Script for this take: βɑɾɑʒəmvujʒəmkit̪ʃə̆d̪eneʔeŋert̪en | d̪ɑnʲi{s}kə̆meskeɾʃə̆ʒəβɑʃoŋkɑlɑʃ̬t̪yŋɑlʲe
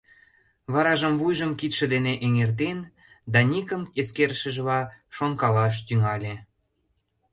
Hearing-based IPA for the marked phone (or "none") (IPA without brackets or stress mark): none